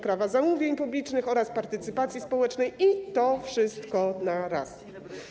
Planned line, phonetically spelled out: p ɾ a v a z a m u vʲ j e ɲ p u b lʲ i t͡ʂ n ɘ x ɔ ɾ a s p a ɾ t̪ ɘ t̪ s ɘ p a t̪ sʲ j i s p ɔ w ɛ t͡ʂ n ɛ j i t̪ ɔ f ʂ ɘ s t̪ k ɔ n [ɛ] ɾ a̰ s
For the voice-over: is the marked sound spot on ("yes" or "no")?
no